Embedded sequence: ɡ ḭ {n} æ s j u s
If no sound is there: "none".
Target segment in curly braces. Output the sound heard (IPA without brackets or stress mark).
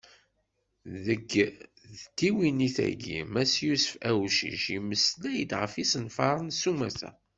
m